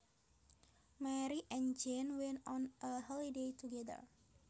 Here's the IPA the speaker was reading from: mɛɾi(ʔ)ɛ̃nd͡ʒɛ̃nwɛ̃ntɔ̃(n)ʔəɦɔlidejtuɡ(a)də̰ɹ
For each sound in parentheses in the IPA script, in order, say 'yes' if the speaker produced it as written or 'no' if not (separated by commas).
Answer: yes, yes, no